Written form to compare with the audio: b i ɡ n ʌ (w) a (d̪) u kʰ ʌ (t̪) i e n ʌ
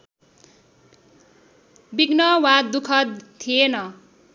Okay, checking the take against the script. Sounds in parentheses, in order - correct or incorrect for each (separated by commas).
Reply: correct, correct, incorrect